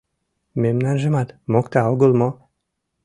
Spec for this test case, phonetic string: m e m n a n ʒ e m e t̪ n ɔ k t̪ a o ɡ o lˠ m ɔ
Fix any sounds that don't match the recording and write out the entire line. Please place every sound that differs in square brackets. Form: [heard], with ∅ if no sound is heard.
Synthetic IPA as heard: m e m n a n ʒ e m [a] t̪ [m] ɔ k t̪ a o ɡ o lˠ m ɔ